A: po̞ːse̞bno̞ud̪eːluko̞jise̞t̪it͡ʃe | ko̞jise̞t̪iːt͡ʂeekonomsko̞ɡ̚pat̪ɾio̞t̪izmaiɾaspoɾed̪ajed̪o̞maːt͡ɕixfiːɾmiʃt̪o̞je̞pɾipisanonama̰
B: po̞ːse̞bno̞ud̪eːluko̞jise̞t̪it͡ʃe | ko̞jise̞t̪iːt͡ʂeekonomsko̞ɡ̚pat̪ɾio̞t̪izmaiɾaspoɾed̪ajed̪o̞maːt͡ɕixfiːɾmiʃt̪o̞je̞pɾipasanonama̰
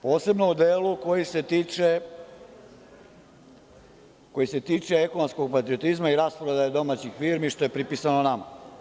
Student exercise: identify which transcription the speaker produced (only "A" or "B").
A